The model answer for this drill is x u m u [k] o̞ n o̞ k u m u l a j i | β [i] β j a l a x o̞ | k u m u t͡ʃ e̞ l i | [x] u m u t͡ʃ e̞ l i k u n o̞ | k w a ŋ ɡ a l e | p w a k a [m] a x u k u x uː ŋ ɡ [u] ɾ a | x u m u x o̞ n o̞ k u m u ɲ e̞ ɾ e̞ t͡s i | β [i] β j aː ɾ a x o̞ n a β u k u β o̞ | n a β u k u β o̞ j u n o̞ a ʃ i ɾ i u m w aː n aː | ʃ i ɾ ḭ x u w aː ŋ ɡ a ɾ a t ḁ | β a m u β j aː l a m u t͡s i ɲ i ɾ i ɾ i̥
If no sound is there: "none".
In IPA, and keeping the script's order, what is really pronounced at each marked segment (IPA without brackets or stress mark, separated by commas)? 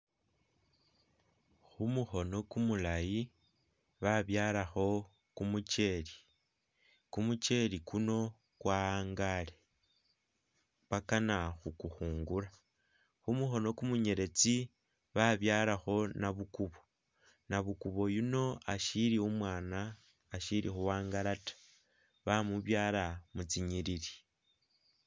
x, a, k, n, u, a